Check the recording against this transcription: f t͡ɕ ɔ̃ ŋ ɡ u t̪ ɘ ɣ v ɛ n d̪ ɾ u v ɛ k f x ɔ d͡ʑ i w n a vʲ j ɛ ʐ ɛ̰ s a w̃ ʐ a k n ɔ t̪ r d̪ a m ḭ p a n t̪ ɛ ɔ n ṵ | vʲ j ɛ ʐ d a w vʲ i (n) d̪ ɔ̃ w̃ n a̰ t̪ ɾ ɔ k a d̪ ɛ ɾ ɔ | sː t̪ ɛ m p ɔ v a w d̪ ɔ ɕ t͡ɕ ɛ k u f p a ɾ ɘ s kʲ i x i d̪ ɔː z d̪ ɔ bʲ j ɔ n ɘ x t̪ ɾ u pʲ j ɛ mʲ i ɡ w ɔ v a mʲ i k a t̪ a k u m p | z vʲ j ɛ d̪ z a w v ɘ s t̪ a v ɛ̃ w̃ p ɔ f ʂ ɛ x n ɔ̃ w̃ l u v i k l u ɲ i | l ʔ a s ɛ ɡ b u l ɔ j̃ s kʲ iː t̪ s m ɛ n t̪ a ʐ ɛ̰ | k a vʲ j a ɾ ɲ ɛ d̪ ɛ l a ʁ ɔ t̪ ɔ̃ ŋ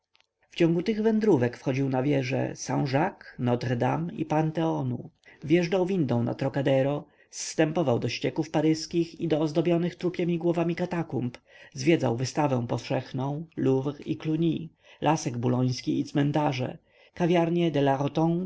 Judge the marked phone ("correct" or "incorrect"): correct